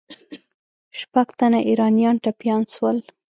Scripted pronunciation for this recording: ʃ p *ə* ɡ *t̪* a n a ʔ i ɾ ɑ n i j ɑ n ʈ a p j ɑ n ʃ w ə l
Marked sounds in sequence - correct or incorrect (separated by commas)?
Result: incorrect, correct